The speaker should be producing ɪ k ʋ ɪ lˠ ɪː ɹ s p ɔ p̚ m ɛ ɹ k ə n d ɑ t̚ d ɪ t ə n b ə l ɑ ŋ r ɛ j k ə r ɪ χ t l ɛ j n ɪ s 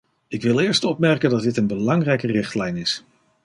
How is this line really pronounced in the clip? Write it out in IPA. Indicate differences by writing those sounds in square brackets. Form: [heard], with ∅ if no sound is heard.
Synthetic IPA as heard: ɪ k ʋ ɪ lˠ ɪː ɹ s [t] ɔ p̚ m ɛ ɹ k ə n d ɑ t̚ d ɪ t ə n b ə l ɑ ŋ r ɛ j k ə r ɪ χ t l ɛ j n ɪ s

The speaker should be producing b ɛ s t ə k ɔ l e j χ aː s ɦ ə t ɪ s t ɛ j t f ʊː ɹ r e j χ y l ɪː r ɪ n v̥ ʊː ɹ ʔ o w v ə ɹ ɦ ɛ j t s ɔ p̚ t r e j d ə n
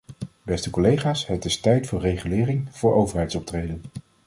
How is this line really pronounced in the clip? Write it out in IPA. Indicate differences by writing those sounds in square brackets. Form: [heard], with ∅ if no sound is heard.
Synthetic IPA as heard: b ɛ s t ə k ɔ l e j χ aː s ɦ ə t ɪ s t ɛ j t f ʊː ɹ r e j χ y l ɪː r ɪ [ŋ] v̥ ʊː ɹ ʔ o w v ə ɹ ɦ ɛ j t s ɔ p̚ t r e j d ə n

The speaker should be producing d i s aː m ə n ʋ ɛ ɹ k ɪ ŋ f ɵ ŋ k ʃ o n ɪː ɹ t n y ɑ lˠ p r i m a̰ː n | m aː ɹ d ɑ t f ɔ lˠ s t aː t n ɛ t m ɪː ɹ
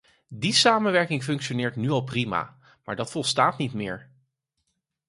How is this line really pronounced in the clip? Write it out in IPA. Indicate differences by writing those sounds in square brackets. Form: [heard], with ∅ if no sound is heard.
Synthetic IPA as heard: d i s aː m ə n ʋ ɛ ɹ k ɪ ŋ f ɵ ŋ k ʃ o n ɪː ɹ t n y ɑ lˠ p r i m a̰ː [∅] | m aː ɹ d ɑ t f ɔ lˠ s t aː t n [i] t m ɪː ɹ

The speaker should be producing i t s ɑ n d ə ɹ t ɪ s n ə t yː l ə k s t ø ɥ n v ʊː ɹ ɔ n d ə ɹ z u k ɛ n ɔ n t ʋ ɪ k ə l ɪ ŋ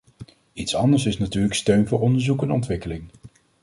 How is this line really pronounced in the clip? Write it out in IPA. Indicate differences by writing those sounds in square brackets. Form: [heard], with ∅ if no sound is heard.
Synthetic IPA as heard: i t s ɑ n d ə ɹ [s] ɪ s n [a] t yː l ə k s t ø ɥ n v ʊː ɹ ɔ n d ə ɹ z u k ɛ n ɔ n t ʋ ɪ k ə l ɪ ŋ

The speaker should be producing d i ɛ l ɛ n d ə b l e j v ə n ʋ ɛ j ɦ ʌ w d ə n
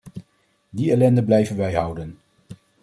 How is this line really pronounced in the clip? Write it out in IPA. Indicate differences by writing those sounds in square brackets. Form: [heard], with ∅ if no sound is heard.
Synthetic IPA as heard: d i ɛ l ɛ n d ə b l [ɛ] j v ə n ʋ ɛ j ɦ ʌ w d ə n

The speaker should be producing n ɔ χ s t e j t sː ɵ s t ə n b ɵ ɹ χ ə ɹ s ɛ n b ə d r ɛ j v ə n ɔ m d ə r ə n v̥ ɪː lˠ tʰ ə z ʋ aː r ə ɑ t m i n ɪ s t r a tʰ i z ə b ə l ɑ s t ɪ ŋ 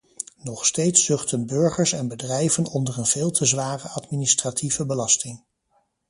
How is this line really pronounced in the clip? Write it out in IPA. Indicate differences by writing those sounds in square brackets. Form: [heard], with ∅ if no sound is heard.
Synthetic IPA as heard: n ɔ χ s t e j t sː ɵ [χ] t ə n b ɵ ɹ χ ə ɹ s ɛ n b ə d r ɛ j v ə n ɔ [n] d ə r ə n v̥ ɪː lˠ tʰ ə z ʋ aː r ə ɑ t m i n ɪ s t r a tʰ i [v] ə b ə l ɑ s t ɪ ŋ

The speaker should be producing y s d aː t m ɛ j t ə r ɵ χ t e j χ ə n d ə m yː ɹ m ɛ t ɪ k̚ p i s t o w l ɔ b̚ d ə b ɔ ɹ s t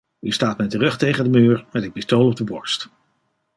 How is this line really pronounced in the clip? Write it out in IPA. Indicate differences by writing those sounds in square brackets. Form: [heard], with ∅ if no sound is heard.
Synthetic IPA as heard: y s [t] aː t m ɛ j t ə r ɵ χ t e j χ ə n d ə m yː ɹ m ɛ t ɪ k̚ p i s t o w l ɔ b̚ d ə b ɔ ɹ s t

